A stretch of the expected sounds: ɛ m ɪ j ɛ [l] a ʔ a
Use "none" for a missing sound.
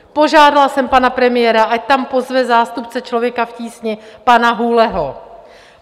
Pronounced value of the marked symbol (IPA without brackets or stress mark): ɾ